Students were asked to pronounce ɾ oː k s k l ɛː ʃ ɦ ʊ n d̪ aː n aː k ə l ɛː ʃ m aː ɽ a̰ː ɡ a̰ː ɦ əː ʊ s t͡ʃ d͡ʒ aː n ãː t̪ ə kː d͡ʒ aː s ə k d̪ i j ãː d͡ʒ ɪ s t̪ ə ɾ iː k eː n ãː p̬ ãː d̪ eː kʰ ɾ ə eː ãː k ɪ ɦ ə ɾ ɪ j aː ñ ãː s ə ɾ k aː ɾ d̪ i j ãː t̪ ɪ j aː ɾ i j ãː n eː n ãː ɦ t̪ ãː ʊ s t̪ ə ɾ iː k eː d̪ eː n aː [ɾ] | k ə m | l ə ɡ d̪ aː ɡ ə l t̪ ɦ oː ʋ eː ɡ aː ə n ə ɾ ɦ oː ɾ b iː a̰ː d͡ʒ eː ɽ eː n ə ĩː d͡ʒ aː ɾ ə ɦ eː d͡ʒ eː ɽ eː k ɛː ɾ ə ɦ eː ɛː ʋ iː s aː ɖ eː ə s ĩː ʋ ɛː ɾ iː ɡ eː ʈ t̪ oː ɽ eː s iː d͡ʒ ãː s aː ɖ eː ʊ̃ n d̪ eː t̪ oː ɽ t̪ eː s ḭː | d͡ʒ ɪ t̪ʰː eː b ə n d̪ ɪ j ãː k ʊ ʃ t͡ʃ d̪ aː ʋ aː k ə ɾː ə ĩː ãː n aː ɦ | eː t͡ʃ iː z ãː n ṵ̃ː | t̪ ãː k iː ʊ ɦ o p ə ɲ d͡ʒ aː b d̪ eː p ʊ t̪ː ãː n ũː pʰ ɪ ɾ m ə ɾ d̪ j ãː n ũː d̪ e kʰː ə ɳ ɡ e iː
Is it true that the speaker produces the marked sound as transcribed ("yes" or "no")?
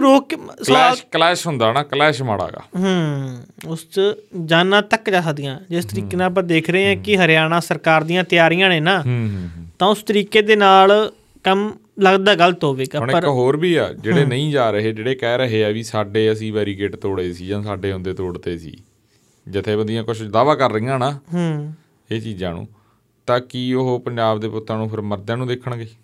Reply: no